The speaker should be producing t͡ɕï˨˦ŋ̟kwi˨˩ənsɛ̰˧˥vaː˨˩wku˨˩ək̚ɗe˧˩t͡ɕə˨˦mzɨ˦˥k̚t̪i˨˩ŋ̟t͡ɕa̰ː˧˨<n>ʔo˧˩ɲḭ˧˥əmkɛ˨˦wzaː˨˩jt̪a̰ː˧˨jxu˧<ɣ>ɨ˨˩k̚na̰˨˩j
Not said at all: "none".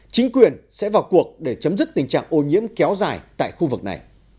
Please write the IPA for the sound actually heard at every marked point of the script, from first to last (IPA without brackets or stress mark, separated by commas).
ŋ, v